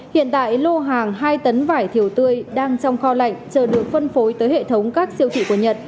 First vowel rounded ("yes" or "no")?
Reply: no